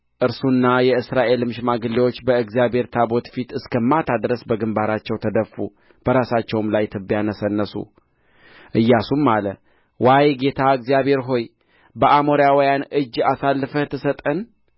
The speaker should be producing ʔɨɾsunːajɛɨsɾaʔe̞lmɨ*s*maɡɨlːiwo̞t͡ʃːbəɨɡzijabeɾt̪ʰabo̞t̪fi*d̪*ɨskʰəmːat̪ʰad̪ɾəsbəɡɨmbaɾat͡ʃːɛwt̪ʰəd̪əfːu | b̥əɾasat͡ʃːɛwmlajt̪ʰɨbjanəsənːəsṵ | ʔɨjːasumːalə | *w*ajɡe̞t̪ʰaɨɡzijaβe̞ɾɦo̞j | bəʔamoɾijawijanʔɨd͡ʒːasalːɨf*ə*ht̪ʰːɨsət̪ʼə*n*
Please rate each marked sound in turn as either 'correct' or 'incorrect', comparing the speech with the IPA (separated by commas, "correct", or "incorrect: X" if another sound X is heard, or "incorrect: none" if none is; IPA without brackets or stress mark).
incorrect: ʃ, incorrect: t̪, correct, correct, correct